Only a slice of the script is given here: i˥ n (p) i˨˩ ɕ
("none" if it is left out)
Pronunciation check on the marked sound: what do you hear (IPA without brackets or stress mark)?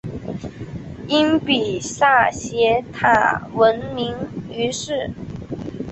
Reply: p